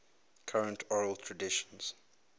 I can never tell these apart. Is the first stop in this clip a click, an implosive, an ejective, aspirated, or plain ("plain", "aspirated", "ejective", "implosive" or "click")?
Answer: aspirated